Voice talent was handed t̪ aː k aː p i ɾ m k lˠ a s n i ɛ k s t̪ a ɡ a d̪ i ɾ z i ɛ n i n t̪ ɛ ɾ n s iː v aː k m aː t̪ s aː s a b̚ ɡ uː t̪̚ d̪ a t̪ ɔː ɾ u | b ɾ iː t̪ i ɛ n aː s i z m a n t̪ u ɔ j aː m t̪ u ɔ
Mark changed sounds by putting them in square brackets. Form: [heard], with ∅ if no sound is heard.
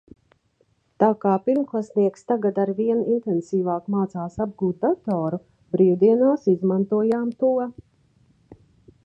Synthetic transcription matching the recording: t̪ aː k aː p i ɾ m k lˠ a s n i ɛ k s t̪ a ɡ a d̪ [a] ɾ [v] i ɛ n i n t̪ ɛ [∅] n s iː v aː k m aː t̪ s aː s a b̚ ɡ uː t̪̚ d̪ a t̪ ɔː ɾ u | b ɾ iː [d̪] i ɛ n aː s i z m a n t̪ u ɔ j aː m t̪ u ɔ